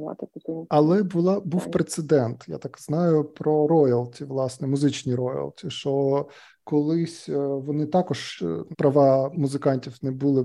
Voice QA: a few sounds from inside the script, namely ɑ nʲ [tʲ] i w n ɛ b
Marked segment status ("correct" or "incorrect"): correct